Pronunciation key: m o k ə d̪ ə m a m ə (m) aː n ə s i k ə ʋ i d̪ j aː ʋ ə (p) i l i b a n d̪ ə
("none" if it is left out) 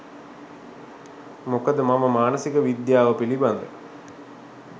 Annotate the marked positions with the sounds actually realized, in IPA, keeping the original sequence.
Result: m, p

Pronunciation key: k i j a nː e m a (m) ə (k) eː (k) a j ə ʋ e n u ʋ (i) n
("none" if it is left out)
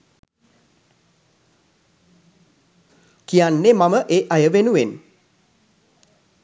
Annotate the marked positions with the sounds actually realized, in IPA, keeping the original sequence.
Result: m, ʔ, ʔ, e

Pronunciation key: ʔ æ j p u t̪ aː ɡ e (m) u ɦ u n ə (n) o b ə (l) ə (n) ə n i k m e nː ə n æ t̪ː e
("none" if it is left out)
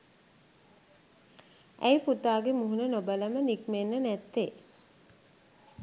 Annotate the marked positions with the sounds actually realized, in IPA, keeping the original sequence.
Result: m, n, l, m

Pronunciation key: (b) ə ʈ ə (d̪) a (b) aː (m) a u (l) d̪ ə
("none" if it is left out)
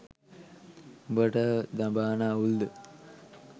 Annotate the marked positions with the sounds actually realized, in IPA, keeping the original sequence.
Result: b, d̪, b, n, l

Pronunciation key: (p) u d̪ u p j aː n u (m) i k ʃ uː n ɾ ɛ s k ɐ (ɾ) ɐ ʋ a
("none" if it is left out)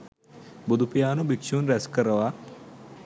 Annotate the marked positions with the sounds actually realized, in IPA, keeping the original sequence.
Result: b, b, ɾ

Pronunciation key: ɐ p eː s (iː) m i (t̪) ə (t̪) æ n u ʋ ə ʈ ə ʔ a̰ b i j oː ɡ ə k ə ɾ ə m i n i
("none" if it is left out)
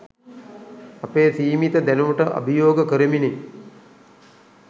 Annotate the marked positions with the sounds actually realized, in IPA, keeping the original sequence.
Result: iː, t̪, d̪

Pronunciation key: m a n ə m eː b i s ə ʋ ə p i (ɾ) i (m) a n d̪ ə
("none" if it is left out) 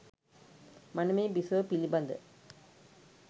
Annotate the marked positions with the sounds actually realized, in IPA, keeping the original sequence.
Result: l, b

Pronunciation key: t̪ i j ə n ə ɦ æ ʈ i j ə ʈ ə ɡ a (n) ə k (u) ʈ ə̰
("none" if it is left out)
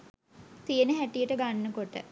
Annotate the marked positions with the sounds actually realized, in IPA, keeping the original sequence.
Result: nː, o

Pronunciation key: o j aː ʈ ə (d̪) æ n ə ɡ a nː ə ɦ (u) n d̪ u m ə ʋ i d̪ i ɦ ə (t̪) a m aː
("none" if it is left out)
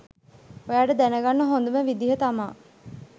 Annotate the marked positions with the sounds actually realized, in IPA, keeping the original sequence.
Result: d̪, o, t̪

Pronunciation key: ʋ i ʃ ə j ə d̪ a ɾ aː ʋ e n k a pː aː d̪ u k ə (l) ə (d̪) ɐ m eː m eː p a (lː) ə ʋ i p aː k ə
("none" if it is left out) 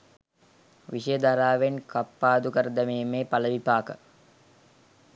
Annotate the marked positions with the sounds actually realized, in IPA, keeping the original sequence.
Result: ɾ, d̪, l

